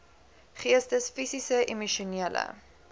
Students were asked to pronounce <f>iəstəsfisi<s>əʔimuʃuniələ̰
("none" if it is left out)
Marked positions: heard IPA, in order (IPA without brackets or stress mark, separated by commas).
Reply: χ, s